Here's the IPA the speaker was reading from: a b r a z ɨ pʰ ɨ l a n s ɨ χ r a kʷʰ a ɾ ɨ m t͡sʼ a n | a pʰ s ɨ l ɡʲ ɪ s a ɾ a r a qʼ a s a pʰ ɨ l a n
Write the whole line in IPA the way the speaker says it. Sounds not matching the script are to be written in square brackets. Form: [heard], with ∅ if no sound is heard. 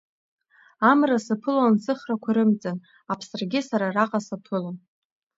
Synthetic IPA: a [m] r a [s] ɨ pʰ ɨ l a n s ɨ χ r a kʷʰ a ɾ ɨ m t͡sʼ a n | a pʰ s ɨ [r] ɡʲ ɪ s a ɾ a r a qʼ a s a pʰ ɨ l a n